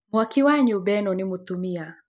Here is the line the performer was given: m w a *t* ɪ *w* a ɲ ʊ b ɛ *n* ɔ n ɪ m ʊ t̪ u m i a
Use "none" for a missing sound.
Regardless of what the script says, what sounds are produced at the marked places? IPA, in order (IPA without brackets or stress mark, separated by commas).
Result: k, w, n